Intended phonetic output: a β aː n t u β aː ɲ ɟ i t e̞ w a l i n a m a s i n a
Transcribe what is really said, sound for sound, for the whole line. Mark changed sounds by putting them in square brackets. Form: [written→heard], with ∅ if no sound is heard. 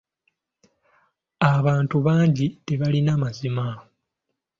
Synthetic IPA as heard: a β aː n t u β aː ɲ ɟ i t e̞ [w→β] a l i n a m a [s→z] i [n→m] a